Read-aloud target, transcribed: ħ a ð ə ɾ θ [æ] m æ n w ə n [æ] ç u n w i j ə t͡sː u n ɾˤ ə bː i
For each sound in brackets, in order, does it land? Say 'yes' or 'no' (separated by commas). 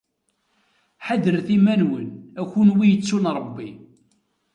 no, yes